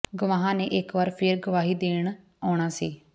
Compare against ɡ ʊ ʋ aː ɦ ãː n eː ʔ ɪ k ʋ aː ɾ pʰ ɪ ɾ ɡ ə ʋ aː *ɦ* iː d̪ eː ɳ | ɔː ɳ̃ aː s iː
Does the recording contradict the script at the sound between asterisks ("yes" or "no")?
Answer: no